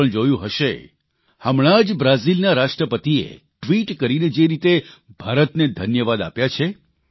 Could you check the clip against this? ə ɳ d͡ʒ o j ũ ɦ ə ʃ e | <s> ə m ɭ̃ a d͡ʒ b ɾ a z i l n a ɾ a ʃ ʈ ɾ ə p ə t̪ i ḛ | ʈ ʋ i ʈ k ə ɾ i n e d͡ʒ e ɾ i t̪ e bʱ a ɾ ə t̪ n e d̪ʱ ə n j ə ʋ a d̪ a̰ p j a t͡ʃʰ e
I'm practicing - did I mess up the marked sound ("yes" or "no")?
yes